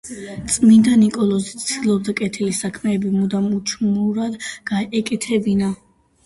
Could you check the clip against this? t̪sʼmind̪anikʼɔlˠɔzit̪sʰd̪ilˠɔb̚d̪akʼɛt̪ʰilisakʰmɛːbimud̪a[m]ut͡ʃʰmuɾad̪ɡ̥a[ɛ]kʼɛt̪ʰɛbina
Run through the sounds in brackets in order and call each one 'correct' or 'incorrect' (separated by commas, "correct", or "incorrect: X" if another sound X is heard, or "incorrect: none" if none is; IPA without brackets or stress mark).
correct, correct